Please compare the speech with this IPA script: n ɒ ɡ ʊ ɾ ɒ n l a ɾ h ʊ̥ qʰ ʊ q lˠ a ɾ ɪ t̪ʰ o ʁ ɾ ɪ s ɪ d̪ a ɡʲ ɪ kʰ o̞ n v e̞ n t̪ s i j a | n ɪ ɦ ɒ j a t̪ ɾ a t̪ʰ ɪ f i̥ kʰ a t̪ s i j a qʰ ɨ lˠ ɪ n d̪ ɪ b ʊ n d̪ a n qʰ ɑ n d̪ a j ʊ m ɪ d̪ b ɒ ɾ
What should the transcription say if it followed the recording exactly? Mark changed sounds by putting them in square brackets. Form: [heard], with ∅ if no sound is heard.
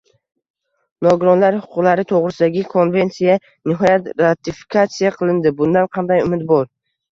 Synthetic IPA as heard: n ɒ ɡ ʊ ɾ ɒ n l a ɾ h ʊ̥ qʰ ʊ q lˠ a ɾ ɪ t̪ʰ o ʁ ɾ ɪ s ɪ d̪ a ɡʲ ɪ kʰ o̞ n v e̞ n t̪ s i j a | n ɪ ɦ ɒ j a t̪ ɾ a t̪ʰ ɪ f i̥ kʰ a t̪ s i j a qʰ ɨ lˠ ɪ n d̪ ɪ b ʊ n d̪ a n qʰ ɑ n d̪ a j ʊ m ɪ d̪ b ɒ ɾ